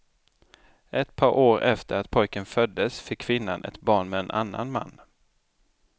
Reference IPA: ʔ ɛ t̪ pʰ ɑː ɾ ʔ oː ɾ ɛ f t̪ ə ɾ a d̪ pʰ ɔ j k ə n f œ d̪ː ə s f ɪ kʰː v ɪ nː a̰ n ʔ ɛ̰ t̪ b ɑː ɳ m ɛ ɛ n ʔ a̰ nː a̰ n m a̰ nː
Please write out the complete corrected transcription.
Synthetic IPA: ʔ ɛ t̪ pʰ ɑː ɾ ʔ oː ɾ ɛ f t̪ ə ɾ a t̪ pʰ ɔ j k ə n f œ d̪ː ə s f ɪ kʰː v ɪ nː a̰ n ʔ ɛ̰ t̪ b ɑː ɳ m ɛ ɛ n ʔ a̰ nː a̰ n m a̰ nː